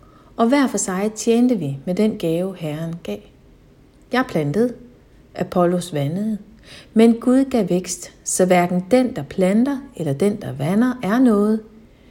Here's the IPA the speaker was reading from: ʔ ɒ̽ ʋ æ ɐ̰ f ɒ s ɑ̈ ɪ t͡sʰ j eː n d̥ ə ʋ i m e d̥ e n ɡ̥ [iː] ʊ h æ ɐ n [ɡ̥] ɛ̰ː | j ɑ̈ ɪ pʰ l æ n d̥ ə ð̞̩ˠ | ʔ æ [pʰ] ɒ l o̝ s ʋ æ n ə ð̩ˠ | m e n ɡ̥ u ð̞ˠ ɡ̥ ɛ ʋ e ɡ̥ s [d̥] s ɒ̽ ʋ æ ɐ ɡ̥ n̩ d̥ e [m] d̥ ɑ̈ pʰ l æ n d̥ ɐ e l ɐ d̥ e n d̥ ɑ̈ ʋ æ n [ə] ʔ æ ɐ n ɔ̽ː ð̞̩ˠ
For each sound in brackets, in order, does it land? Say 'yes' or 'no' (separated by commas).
no, yes, yes, yes, no, no